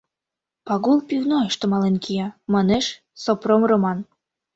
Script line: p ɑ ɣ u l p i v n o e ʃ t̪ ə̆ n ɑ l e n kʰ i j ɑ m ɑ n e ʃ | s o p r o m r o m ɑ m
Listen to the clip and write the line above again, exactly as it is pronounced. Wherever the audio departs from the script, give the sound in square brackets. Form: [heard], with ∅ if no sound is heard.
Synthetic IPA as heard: p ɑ ɣ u l p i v n o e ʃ t̪ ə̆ [m] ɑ l e n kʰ i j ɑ m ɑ n e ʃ | s o p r o m r o m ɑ [n]